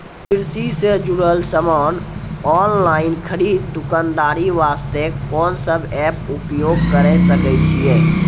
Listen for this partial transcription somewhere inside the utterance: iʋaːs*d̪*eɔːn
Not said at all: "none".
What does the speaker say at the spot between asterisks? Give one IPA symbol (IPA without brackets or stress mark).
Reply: t̪